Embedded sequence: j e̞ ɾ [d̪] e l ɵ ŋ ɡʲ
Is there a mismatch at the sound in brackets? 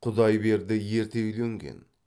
yes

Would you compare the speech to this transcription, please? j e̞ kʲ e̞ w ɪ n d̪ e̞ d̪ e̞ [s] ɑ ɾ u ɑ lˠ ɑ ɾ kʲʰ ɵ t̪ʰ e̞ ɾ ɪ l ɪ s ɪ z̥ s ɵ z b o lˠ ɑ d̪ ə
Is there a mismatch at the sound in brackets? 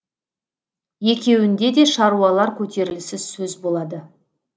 yes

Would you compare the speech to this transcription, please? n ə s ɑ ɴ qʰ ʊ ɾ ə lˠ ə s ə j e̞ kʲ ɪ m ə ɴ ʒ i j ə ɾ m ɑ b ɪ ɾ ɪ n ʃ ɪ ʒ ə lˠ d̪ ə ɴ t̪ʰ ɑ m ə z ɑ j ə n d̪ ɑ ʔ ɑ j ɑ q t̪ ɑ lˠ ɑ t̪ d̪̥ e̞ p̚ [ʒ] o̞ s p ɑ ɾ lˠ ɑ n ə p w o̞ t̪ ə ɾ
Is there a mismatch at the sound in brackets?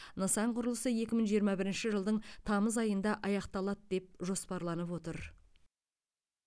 no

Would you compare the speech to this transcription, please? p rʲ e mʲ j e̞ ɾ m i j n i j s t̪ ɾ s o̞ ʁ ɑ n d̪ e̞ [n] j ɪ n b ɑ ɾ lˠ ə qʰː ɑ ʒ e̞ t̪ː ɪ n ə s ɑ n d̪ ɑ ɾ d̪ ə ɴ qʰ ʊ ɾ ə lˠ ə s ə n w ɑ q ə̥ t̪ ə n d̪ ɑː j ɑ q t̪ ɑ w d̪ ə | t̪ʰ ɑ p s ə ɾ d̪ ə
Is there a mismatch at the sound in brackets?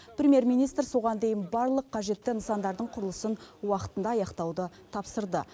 yes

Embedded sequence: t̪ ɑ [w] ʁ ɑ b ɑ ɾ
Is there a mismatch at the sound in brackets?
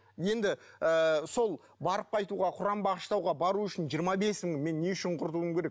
no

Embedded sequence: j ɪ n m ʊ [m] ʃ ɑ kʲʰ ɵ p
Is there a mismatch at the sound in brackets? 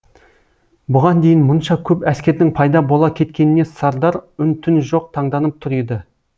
yes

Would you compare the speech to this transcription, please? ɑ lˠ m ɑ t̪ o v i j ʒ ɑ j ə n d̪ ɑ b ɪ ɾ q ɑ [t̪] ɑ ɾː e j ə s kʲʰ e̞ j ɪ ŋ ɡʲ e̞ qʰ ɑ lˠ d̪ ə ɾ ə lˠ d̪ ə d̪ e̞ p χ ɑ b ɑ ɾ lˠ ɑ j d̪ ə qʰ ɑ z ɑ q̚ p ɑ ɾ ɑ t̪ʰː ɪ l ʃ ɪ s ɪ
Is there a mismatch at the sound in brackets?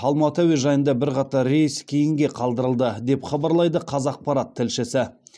no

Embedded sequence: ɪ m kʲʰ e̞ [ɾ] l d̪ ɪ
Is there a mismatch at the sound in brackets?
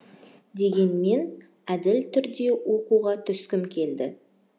yes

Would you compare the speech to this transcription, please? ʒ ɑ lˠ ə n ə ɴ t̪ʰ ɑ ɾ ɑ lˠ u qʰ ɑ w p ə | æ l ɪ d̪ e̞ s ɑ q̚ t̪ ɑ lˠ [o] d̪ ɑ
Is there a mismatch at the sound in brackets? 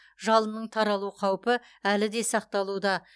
yes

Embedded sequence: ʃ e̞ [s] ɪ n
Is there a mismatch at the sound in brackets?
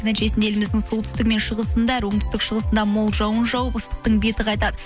no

